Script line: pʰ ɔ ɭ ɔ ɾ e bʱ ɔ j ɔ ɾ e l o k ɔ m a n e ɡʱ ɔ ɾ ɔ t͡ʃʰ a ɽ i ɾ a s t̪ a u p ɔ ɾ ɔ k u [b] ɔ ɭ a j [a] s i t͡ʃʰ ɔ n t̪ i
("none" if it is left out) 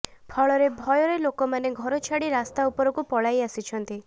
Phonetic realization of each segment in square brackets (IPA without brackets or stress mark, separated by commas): p, a